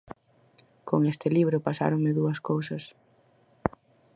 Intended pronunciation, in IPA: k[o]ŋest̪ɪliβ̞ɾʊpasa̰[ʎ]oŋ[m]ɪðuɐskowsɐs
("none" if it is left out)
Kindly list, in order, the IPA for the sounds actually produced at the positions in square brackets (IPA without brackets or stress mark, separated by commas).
o, ɾ, m